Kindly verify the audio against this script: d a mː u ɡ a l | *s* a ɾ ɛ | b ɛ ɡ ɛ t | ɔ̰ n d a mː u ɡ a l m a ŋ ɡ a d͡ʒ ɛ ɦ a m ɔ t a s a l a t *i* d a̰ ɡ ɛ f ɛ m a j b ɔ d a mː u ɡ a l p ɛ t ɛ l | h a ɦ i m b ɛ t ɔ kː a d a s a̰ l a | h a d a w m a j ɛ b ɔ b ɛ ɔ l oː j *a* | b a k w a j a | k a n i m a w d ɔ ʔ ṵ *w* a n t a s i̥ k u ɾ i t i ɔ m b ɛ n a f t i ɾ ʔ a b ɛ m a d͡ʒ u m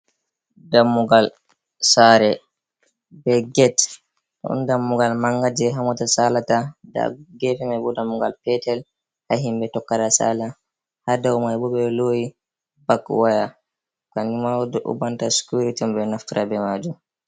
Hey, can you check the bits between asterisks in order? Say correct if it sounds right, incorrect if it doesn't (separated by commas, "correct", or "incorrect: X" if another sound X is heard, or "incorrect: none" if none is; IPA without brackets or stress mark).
correct, incorrect: a, incorrect: i, incorrect: b